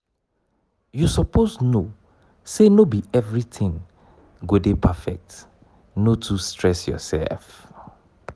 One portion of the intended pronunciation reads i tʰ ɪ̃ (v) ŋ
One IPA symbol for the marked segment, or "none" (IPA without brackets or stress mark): none